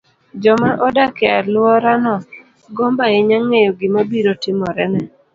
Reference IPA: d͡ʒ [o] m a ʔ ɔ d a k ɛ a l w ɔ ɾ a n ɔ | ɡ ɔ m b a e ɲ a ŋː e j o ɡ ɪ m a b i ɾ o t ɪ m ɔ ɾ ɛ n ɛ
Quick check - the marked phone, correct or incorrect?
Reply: incorrect